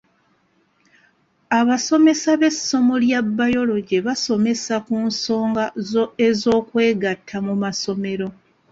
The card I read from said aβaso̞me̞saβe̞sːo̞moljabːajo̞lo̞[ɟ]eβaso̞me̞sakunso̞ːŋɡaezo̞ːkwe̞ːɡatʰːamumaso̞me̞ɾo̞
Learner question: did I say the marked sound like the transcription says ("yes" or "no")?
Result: yes